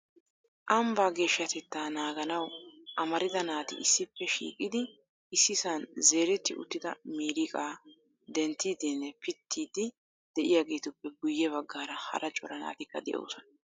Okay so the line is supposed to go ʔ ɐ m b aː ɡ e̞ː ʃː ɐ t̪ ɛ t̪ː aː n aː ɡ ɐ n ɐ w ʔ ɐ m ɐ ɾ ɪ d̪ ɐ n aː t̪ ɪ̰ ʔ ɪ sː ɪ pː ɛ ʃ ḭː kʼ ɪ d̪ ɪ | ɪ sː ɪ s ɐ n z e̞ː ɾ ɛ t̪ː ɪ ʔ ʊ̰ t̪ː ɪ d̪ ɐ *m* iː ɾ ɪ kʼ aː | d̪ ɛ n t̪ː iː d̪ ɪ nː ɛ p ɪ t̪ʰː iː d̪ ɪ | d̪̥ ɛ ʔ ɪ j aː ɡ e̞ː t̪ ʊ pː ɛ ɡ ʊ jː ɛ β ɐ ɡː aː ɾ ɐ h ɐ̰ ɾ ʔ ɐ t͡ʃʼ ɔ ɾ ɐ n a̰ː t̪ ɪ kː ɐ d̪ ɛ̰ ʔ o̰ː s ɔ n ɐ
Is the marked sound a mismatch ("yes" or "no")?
no